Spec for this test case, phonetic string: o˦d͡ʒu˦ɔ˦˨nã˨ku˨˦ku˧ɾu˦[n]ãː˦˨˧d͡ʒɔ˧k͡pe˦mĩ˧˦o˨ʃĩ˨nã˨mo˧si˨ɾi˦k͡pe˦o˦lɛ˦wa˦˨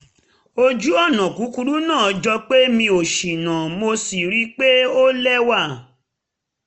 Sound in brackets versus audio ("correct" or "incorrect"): correct